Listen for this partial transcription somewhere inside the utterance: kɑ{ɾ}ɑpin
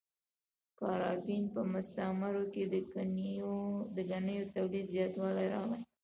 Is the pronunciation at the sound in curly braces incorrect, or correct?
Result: correct